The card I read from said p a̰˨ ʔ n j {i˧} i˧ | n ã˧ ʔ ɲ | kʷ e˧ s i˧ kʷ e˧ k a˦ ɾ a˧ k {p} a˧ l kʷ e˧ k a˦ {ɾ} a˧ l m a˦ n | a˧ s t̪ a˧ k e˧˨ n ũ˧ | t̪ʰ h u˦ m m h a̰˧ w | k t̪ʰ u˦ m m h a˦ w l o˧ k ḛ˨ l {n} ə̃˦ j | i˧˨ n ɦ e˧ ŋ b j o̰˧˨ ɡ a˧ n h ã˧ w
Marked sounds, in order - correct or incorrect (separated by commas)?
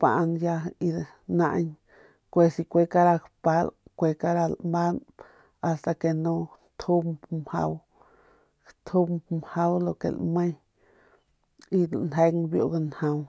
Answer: incorrect, correct, correct, incorrect